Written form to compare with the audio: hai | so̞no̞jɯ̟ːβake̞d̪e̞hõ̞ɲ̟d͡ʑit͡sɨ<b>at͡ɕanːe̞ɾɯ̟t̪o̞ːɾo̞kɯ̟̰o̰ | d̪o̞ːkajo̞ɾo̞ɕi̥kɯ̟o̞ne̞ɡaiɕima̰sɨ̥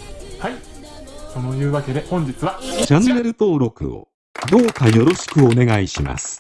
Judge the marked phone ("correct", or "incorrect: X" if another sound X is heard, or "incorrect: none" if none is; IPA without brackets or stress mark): incorrect: β